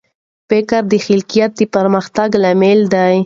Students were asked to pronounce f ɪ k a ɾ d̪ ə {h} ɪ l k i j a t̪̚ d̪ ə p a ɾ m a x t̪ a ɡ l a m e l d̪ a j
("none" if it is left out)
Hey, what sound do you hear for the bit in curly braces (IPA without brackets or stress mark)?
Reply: x